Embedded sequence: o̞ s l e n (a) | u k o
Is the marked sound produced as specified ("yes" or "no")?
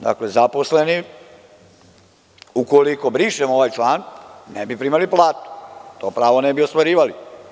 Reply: no